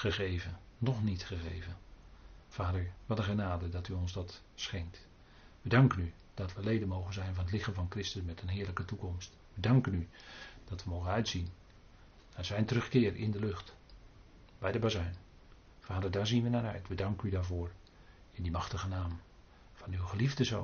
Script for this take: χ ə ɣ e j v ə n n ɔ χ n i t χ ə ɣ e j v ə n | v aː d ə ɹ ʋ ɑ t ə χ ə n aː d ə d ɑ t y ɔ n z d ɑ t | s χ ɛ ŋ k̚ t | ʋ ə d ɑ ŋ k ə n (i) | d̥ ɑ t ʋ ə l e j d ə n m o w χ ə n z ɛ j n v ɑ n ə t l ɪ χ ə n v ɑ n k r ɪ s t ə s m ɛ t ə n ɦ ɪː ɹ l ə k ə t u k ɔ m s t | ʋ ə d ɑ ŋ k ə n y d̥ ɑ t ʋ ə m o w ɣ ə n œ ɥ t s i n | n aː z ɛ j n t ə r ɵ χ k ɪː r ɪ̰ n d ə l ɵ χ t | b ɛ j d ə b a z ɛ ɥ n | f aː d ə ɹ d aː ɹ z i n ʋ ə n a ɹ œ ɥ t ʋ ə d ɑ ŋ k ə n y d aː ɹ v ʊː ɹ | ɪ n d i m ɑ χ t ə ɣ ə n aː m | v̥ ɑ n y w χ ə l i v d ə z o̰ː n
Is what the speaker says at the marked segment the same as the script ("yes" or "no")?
no